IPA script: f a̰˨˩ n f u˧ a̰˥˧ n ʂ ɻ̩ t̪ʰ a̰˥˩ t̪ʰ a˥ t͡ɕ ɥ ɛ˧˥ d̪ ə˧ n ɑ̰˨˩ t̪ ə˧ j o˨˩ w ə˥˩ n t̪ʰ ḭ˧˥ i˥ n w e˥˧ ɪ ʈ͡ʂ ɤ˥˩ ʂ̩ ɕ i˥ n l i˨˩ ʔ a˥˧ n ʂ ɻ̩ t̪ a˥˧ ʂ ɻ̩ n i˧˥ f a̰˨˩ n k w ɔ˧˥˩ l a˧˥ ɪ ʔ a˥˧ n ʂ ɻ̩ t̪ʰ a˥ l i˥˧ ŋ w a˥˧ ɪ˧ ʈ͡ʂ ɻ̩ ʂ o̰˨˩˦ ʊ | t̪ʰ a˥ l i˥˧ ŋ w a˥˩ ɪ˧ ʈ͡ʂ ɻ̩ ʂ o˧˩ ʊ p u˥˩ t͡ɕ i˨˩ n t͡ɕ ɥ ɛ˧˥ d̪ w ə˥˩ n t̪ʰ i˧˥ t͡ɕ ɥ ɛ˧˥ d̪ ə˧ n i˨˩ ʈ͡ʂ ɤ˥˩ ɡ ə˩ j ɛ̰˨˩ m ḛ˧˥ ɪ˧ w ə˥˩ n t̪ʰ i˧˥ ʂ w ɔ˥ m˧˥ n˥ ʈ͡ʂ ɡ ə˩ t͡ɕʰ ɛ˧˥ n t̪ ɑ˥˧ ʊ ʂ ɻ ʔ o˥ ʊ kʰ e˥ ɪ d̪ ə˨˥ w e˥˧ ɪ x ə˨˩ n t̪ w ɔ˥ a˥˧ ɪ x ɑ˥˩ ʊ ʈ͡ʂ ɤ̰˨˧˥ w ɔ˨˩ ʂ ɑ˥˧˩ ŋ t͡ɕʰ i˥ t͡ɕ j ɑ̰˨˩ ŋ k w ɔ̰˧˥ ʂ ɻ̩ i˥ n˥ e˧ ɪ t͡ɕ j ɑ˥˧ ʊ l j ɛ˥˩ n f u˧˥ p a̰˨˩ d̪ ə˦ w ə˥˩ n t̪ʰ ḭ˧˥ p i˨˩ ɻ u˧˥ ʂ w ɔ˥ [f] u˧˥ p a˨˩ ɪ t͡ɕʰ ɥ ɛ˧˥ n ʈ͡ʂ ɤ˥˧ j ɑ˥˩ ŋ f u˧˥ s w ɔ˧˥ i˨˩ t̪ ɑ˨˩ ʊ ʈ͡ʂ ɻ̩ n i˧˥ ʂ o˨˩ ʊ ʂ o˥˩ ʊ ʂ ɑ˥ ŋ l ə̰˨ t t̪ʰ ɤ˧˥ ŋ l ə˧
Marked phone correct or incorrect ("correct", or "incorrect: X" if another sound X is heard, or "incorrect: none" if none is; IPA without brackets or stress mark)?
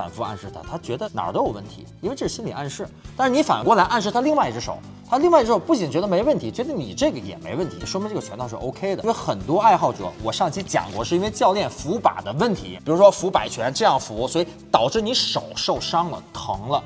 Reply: correct